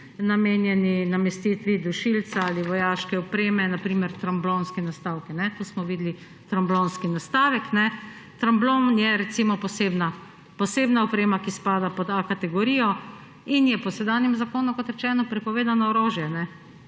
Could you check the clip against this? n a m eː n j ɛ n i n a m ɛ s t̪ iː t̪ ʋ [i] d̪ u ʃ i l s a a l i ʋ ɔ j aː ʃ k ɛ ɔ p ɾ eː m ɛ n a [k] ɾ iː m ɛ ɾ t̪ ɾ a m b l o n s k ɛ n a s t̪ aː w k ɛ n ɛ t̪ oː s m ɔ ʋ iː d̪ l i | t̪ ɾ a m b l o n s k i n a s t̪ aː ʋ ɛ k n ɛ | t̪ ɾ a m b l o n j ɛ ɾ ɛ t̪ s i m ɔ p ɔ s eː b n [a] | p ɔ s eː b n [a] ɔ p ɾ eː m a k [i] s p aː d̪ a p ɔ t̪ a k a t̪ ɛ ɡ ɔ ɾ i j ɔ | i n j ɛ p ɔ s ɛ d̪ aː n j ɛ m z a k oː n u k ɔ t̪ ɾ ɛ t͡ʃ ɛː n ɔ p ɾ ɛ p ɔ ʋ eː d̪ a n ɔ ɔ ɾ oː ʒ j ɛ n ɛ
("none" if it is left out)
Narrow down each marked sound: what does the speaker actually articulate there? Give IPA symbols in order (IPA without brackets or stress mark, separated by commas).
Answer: i, p, a, a, i